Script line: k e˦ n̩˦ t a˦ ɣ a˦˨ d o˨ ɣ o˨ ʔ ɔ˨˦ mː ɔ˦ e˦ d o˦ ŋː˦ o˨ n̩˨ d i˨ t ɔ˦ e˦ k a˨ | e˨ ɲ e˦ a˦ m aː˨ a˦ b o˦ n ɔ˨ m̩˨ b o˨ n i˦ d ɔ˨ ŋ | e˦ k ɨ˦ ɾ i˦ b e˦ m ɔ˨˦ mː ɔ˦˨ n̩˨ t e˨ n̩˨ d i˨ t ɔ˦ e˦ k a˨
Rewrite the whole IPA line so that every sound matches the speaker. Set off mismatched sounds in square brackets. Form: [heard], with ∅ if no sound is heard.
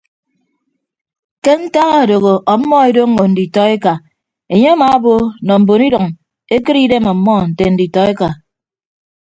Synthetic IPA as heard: k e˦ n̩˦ t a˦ ɣ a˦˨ d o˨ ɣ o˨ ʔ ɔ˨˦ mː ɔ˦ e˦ d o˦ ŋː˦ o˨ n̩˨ d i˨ t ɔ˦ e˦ k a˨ | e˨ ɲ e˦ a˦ m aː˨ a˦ b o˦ n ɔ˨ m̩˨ b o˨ n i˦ d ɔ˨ ŋ | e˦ k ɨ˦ ɾ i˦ [d] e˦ m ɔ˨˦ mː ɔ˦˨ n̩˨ t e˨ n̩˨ d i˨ t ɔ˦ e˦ k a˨